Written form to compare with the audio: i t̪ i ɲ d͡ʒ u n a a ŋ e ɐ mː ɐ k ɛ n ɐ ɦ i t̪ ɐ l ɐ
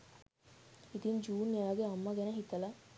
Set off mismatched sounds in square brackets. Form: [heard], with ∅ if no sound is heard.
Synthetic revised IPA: i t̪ i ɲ d͡ʒ [uː] n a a [ɡ] e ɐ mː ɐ [ɡ] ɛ n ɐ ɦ i t̪ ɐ l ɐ